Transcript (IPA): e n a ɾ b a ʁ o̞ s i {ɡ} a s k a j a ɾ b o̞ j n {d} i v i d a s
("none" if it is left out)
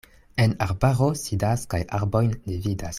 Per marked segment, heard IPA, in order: d, d

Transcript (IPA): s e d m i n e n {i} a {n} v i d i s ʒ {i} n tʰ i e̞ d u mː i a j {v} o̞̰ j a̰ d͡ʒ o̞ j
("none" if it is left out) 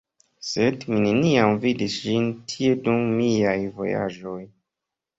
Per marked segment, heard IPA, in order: i, m, i, v

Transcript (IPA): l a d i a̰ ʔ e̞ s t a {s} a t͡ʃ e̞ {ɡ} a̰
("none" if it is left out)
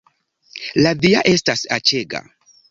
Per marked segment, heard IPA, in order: s, ɡ

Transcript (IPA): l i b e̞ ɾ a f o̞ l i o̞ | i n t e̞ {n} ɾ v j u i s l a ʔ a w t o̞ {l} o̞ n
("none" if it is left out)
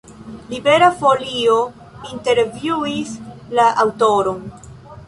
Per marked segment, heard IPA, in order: none, ɾ

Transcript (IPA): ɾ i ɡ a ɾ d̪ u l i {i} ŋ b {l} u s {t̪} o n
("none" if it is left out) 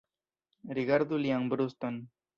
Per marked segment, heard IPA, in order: a, ɾ, t̪

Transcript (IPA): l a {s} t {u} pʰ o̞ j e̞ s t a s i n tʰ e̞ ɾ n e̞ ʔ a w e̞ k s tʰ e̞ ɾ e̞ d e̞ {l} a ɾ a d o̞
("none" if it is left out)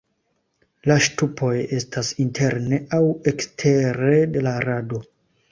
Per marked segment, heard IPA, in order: ʃ, u, l

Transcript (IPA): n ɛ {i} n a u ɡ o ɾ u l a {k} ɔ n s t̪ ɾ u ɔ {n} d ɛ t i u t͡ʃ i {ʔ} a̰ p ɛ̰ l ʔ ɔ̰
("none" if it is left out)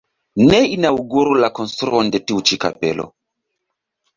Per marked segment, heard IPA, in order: i, k, n, k

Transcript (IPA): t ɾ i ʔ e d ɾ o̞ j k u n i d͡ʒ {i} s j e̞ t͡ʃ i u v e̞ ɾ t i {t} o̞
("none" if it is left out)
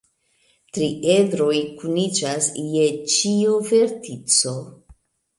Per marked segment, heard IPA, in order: a, t͡s

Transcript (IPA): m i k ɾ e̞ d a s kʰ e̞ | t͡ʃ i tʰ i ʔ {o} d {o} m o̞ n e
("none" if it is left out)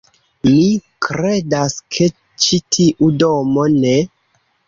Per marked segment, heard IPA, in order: u, o

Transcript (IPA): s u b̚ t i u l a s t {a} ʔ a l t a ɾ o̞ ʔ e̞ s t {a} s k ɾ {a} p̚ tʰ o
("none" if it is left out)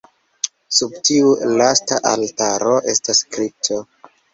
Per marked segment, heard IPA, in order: a, a, i

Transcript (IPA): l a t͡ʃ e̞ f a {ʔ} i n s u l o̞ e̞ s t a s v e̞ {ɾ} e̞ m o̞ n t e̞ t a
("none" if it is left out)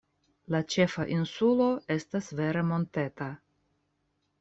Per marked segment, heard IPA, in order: ʔ, ɾ

